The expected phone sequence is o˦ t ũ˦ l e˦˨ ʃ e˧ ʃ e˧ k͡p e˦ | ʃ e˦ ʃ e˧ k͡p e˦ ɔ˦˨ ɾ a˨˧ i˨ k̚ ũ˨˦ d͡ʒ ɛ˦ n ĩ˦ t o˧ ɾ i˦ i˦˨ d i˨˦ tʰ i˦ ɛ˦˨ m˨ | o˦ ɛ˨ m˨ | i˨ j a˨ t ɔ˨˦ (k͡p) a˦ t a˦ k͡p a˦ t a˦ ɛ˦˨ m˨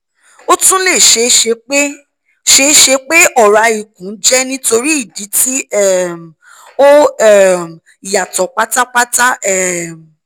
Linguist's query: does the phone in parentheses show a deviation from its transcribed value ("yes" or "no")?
no